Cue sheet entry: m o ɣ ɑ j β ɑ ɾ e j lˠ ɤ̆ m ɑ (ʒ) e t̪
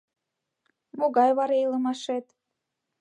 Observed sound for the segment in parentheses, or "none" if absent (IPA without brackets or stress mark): ʃ